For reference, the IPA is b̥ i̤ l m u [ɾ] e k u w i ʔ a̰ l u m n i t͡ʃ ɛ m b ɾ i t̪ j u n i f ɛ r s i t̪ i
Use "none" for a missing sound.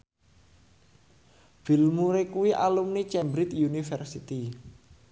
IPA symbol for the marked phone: ɾ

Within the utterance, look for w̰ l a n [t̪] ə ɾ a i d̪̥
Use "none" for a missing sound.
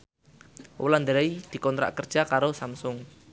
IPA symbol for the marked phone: d̪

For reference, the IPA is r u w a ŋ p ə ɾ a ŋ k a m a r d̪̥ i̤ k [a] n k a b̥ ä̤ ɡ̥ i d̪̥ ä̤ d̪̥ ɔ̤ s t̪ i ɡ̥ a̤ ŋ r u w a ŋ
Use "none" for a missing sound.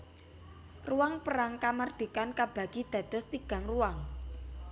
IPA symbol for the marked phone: a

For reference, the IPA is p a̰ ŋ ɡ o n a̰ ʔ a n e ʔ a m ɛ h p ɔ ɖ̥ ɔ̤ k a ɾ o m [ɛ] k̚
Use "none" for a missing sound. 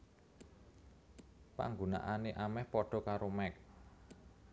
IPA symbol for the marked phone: ɛ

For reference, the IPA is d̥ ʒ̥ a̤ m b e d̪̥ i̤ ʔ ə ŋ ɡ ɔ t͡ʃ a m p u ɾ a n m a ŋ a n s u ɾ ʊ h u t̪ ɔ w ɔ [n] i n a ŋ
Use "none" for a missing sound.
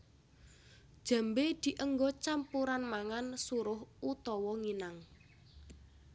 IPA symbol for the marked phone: ŋ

